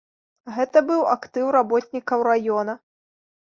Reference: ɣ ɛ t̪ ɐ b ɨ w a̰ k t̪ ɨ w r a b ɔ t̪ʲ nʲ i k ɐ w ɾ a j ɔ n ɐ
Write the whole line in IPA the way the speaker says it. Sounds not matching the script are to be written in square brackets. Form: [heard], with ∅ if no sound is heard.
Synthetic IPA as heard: ɣ ɛ t̪ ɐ b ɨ w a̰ k t̪ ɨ w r a b ɔ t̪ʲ nʲ i k ɐ w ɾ a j ɔ n ɐ